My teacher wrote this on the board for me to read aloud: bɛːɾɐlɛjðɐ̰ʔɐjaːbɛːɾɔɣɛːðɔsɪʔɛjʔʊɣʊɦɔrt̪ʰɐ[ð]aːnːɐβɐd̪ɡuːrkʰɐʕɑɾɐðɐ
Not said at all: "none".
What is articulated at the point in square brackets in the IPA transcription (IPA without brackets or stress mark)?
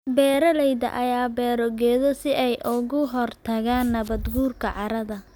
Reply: ɣ